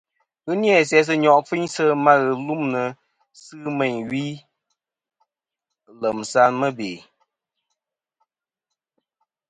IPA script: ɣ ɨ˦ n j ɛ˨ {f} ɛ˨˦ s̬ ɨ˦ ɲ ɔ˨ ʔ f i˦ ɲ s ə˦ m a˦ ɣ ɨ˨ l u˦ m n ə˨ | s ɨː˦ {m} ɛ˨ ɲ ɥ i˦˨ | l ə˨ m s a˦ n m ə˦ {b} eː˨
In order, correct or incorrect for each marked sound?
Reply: incorrect, correct, correct

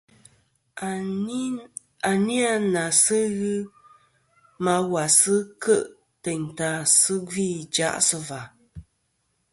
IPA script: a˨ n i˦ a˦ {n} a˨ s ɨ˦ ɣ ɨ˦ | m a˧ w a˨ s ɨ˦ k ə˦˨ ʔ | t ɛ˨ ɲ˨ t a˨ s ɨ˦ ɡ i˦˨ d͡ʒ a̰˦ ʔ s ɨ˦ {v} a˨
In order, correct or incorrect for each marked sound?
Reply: correct, correct

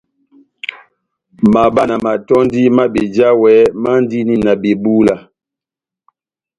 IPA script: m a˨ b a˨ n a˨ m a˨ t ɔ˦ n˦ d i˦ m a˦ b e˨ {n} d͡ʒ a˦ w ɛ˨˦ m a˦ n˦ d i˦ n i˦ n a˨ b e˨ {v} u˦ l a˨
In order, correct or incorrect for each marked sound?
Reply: incorrect, incorrect

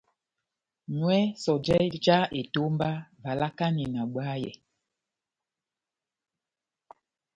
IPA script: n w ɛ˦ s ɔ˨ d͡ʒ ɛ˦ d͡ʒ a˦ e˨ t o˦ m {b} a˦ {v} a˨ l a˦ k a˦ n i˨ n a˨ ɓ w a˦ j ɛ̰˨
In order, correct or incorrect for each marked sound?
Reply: correct, correct

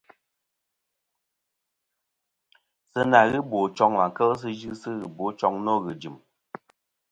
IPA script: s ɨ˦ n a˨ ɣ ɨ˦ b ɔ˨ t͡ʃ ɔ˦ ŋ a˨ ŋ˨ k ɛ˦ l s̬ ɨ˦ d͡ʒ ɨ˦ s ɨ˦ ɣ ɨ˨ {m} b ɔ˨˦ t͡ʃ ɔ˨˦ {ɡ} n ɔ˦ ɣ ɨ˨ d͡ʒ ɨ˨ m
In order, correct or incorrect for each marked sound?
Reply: incorrect, incorrect

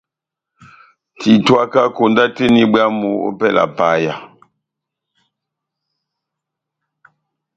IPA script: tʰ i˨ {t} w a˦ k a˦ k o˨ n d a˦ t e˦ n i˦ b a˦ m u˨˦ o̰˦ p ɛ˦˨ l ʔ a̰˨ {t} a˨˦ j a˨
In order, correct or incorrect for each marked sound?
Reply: correct, incorrect

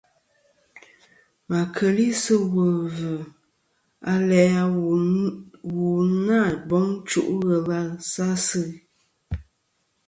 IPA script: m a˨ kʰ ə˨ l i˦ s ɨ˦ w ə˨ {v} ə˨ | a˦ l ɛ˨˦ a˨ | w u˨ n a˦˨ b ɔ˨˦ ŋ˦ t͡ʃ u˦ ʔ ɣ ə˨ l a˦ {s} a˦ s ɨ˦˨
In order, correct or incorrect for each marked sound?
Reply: correct, correct

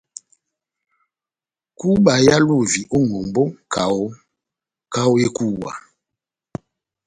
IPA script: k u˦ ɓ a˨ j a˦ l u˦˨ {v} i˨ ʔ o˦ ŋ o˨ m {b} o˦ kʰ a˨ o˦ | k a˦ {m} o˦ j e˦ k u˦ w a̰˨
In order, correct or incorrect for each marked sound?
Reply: correct, correct, incorrect

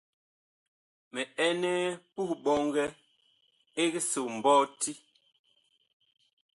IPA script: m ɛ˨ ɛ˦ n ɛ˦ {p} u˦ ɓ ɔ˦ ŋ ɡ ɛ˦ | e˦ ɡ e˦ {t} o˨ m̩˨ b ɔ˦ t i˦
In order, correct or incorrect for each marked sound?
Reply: correct, incorrect

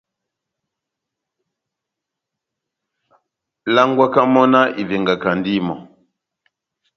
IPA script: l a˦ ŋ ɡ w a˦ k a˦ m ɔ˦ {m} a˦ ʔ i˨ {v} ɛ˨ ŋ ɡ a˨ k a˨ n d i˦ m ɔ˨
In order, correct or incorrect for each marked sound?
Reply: incorrect, correct

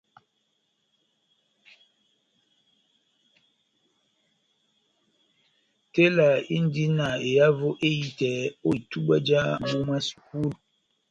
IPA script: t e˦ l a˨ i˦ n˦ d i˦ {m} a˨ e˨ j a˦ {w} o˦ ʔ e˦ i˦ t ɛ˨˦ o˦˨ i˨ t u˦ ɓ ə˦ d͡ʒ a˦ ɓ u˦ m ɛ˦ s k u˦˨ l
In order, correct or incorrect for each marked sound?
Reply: incorrect, incorrect

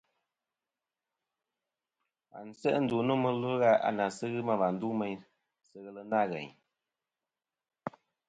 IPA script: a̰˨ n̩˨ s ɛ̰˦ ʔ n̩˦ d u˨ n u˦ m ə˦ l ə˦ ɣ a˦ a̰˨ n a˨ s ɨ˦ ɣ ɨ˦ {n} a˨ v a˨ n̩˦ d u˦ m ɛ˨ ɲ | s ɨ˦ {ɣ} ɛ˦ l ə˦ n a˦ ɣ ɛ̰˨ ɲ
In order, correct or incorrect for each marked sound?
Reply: incorrect, correct

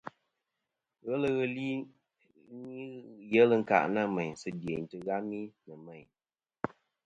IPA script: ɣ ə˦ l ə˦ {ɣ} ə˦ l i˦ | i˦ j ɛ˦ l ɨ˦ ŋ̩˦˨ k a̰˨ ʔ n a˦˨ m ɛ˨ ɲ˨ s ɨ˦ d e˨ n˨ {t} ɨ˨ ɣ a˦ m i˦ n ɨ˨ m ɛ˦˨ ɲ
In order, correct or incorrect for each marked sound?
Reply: correct, correct

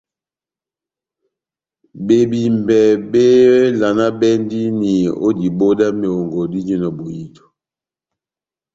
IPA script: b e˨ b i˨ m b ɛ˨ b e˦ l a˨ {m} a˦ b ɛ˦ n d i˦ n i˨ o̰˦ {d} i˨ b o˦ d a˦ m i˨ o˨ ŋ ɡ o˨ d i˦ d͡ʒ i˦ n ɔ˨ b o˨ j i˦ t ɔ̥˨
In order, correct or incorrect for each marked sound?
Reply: incorrect, correct

